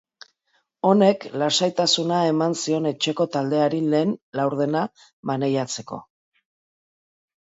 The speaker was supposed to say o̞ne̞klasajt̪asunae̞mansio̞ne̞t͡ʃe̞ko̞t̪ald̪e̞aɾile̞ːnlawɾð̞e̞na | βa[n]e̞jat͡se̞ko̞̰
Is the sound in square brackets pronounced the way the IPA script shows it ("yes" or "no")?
yes